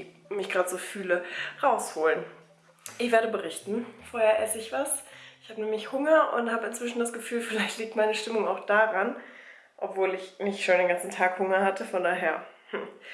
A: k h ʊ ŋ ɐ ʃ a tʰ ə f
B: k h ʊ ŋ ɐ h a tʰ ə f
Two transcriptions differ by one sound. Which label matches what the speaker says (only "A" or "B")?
B